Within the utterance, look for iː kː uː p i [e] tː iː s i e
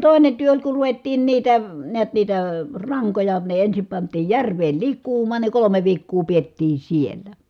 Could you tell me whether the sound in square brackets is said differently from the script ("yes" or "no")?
no